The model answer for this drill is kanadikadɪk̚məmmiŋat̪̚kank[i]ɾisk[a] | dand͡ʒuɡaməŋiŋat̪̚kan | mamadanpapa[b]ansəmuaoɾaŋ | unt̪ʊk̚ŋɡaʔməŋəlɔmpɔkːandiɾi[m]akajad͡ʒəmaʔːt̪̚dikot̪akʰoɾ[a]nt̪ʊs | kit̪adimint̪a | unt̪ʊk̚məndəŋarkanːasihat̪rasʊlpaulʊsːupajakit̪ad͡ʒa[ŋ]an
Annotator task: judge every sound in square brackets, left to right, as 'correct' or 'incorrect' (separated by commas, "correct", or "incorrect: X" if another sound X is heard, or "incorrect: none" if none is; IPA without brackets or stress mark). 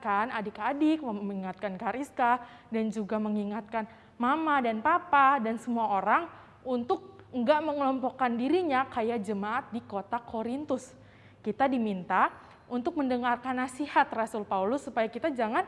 incorrect: a, correct, incorrect: d, incorrect: ɲ, incorrect: i, correct